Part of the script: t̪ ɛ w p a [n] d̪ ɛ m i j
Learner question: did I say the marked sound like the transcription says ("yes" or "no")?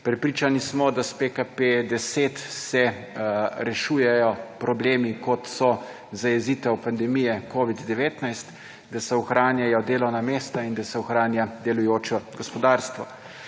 yes